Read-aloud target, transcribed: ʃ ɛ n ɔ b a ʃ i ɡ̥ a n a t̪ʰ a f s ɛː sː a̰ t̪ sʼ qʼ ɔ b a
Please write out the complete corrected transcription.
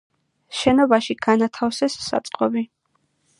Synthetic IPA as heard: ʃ ɛ n ɔ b a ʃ i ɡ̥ a n a t̪ʰ a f s ɛ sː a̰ t̪ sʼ qʼ ɔ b i